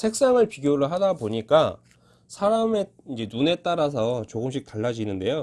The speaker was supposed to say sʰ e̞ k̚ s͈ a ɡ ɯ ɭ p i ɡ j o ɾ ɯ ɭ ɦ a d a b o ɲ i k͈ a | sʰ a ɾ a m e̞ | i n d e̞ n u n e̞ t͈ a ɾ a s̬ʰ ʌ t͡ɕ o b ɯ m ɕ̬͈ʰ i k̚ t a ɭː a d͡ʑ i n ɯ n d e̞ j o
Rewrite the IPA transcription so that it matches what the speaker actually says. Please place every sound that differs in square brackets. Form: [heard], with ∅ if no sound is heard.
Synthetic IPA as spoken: sʰ e̞ k̚ s͈ a [ŋ] ɯ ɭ p i ɡ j o ɾ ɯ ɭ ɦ a d a b o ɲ i k͈ a | sʰ a ɾ a m e̞ | i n [d͡ʑ] e̞ n u n e̞ t͈ a ɾ a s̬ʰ ʌ t͡ɕ o [ɡ] ɯ m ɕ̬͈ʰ i k̚ t a ɭː a d͡ʑ i n ɯ n d e̞ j o